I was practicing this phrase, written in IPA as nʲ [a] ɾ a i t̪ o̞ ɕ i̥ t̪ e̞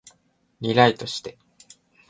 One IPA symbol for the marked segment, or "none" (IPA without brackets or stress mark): i